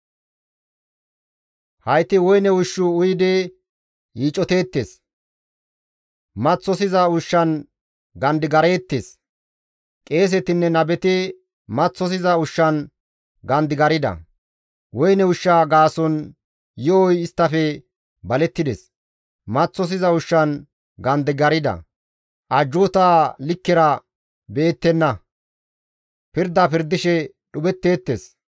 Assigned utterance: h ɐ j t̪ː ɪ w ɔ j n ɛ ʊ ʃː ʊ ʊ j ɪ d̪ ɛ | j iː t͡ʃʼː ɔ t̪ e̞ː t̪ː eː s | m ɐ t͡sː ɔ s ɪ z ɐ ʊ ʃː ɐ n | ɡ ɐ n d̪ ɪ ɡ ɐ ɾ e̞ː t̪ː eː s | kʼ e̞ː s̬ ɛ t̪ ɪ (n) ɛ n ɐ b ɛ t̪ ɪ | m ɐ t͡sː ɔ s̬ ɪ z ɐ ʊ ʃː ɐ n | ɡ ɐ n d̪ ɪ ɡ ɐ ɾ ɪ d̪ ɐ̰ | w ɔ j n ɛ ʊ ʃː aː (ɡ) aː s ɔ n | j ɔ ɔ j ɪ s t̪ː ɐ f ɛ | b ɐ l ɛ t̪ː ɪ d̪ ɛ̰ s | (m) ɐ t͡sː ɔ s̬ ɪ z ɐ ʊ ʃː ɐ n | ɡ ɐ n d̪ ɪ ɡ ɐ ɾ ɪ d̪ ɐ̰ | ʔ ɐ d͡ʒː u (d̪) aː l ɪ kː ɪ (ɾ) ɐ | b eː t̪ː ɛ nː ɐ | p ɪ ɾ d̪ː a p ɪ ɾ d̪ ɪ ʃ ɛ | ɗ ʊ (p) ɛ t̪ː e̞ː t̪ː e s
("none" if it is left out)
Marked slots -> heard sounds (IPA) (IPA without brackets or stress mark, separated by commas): nː, ɡ, m, t̪, ɾ, b